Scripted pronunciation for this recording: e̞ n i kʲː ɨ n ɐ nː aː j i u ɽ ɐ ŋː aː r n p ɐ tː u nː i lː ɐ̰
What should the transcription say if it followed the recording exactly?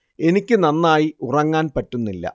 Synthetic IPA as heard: e̞ n i kʲː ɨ n ɐ nː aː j i u r ɐ ŋː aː n p ɐ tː u nː i lː ɐ̰